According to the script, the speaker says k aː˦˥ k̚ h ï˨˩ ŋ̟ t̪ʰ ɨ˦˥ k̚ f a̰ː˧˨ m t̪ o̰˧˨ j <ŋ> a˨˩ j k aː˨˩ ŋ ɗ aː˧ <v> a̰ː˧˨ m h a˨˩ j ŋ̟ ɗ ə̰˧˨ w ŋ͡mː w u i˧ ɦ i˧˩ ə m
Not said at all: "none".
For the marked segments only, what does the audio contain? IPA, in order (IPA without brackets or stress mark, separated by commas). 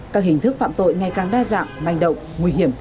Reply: ŋ, z